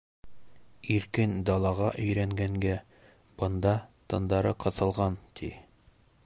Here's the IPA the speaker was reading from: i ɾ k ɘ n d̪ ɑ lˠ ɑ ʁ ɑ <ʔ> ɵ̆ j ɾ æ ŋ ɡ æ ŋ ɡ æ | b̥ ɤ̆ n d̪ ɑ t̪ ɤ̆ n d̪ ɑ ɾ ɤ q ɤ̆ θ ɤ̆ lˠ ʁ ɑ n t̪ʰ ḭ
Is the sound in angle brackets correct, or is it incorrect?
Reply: correct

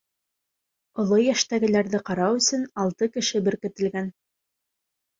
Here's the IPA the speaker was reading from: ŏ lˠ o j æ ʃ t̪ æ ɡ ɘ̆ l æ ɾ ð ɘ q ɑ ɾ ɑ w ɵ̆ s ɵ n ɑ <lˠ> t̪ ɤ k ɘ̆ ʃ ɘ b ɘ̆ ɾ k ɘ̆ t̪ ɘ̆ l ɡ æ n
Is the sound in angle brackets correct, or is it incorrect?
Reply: correct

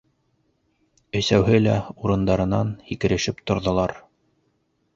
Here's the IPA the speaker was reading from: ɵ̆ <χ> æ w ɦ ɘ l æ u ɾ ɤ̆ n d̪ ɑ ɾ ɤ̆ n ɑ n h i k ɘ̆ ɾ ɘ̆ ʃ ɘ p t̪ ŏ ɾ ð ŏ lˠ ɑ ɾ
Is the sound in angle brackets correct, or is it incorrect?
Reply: incorrect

